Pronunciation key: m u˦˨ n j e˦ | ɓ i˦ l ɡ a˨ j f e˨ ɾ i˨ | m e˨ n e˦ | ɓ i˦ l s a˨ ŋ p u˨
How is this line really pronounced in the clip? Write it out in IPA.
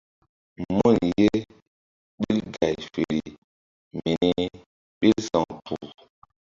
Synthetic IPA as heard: m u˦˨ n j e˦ | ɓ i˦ l ɡ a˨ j f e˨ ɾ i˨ | m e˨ n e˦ | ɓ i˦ l s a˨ ŋ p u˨